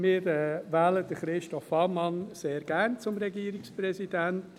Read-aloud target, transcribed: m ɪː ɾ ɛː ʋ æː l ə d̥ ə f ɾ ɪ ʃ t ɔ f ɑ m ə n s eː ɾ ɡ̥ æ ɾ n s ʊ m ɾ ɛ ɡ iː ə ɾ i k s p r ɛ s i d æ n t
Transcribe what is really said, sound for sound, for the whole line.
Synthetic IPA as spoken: m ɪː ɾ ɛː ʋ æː l ə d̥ ə χ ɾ ɪ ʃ t ɔ f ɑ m ɑ n s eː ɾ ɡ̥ æ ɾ n t͡s ʊ m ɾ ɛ ɡ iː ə ɾ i k s p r ɛ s i d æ n t